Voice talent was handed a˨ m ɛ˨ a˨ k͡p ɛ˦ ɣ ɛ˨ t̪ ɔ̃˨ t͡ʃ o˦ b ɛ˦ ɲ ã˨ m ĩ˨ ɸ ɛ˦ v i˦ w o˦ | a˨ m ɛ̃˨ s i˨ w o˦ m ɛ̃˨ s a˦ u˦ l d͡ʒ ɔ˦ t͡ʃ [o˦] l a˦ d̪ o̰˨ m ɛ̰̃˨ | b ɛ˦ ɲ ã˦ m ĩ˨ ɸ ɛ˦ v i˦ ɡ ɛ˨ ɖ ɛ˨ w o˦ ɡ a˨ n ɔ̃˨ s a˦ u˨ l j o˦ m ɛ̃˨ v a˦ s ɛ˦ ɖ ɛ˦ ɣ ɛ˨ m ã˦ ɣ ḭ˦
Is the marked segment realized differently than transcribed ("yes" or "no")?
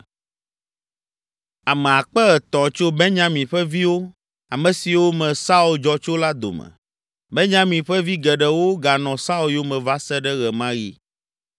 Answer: no